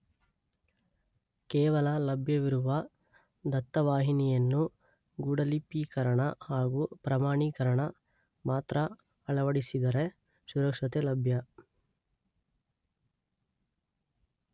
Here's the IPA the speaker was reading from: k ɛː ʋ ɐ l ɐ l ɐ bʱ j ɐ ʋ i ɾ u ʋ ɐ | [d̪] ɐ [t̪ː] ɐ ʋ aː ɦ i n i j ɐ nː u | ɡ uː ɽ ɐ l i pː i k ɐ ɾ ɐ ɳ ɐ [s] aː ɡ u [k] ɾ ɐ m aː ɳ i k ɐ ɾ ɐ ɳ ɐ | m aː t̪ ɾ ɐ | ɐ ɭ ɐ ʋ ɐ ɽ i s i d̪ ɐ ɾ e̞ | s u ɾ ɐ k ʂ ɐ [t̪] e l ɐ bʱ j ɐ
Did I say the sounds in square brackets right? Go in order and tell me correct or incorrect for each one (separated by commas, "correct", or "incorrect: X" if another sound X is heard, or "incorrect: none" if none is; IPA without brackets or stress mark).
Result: correct, correct, incorrect: h, incorrect: p, correct